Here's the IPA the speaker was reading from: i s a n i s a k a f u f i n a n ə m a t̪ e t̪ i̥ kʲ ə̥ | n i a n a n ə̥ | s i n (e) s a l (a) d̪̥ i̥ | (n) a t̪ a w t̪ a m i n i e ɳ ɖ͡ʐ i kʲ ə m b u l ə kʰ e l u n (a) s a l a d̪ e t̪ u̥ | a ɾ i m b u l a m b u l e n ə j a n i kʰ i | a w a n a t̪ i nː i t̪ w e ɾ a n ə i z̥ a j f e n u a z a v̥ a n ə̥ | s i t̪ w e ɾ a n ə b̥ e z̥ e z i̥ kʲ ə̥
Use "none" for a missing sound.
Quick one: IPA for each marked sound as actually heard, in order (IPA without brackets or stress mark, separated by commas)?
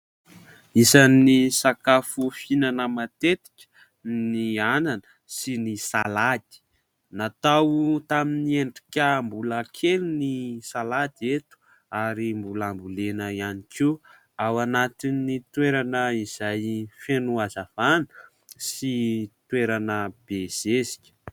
i, a, n, i